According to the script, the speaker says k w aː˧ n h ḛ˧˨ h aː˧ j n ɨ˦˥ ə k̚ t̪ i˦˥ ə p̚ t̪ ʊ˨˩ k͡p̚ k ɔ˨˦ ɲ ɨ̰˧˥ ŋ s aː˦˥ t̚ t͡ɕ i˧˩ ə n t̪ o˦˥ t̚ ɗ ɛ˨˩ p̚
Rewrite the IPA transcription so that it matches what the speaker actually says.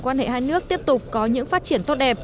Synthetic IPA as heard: k w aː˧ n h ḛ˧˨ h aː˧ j n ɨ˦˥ ə k̚ t̪ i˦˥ ə p̚ t̪ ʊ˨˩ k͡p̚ k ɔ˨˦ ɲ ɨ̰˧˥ ŋ f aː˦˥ t̚ t͡ɕ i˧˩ ə n t̪ o˦˥ t̚ ɗ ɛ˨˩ p̚